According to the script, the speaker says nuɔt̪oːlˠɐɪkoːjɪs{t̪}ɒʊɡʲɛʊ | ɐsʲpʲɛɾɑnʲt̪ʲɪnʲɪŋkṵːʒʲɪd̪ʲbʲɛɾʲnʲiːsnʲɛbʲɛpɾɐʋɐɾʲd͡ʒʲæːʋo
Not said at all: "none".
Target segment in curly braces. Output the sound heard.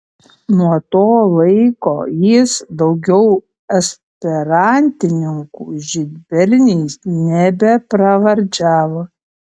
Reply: d̪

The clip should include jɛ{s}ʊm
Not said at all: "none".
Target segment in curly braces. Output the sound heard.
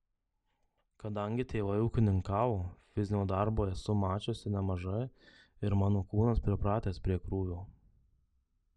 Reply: s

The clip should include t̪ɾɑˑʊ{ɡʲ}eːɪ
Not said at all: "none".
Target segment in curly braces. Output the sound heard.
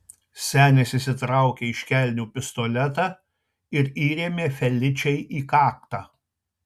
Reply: kʲ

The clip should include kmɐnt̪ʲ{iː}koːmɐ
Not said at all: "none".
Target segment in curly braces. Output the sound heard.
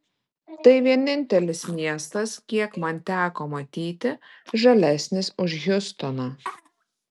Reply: æː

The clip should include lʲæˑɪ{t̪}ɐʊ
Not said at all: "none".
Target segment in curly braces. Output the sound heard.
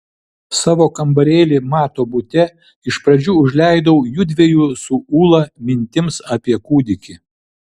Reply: d̪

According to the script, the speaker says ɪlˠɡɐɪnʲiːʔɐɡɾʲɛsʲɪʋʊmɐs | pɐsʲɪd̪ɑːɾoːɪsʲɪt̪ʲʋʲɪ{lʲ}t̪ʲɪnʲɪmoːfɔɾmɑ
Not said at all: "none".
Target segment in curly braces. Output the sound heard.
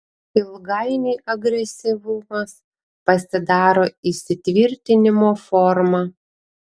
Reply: ɾʲ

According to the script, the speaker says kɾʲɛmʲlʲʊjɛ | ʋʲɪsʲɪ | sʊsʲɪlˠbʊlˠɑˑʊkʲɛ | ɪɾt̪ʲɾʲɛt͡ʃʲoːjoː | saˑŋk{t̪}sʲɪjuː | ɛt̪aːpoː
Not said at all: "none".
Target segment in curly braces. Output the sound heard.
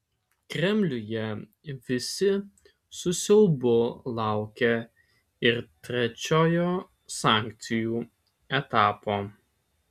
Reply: t̪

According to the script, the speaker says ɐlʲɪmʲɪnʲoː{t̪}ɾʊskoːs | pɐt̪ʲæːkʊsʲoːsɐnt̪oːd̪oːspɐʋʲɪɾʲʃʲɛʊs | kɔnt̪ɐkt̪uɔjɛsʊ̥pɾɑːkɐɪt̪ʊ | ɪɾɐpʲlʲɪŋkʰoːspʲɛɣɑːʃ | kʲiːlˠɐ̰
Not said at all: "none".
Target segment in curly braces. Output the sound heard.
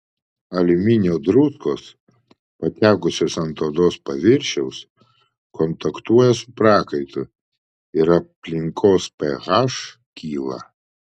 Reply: d̪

